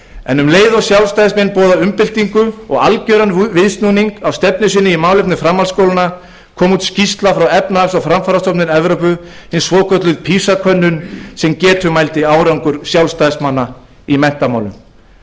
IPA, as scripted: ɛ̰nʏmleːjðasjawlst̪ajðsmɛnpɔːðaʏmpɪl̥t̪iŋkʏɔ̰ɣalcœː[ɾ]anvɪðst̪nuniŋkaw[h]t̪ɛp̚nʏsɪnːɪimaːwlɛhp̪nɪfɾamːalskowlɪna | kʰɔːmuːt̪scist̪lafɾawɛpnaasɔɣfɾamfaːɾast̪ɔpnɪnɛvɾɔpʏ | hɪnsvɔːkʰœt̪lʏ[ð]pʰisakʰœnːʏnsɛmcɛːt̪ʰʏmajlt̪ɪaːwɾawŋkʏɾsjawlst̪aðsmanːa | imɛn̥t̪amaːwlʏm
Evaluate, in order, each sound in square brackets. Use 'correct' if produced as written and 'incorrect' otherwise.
correct, incorrect, correct

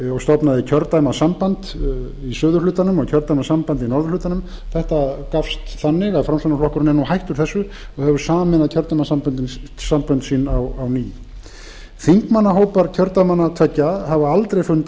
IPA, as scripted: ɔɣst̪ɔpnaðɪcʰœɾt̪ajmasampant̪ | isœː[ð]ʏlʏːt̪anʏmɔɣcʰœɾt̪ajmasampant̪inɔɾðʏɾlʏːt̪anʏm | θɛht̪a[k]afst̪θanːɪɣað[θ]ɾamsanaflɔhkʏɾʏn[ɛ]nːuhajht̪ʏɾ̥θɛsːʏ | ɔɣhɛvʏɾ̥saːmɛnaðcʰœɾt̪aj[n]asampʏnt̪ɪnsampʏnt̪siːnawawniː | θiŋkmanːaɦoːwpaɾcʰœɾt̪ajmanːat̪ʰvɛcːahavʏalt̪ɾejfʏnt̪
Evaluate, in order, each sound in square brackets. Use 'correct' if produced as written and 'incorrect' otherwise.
correct, correct, incorrect, correct, incorrect

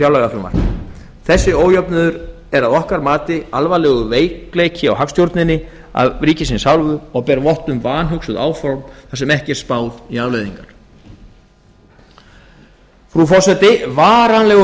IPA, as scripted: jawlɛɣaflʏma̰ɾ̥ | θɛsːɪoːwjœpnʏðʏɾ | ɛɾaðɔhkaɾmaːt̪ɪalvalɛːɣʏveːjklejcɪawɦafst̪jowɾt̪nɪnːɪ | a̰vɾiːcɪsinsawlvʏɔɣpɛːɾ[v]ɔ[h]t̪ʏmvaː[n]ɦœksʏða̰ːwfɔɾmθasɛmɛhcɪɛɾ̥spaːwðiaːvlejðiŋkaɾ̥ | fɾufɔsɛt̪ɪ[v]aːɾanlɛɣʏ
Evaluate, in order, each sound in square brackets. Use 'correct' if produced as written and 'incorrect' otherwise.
correct, correct, correct, correct

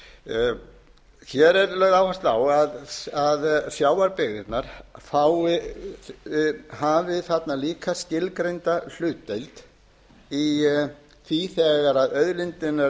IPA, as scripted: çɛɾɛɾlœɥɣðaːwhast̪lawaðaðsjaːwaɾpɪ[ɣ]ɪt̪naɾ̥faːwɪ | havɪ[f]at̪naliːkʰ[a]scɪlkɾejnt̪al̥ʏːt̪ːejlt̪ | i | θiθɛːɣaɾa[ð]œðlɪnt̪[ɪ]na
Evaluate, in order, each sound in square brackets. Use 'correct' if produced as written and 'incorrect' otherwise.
correct, incorrect, correct, correct, correct

